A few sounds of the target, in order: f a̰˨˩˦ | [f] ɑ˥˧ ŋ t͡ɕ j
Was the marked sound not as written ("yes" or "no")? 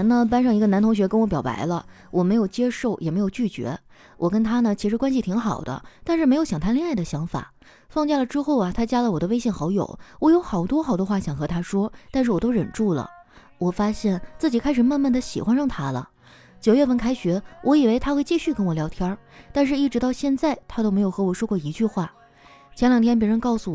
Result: no